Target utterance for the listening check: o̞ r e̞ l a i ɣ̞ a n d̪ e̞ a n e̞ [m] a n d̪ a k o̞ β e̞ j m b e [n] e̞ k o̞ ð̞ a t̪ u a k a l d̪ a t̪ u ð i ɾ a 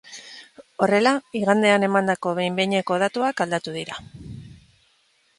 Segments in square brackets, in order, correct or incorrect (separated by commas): correct, incorrect